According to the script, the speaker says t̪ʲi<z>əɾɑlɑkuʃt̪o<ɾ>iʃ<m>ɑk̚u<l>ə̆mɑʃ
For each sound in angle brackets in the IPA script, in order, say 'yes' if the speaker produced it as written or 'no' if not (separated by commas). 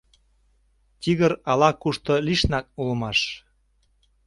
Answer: no, no, no, yes